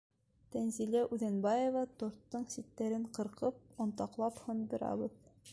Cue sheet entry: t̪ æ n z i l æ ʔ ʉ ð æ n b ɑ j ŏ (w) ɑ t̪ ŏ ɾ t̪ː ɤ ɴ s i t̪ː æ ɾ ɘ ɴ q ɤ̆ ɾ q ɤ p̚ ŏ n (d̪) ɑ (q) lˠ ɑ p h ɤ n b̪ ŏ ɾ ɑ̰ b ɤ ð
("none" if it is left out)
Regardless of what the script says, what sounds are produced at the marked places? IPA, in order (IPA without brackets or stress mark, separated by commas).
v, t̪, q